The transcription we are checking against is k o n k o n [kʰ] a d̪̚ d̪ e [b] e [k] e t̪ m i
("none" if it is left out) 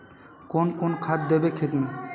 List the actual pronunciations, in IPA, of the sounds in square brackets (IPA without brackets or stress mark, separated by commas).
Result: kʰ, b, kʰ